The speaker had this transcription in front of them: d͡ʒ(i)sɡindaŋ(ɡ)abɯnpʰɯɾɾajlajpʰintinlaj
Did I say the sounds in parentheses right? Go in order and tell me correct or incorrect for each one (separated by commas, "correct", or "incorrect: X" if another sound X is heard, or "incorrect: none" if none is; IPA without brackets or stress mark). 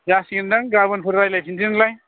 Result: incorrect: a, correct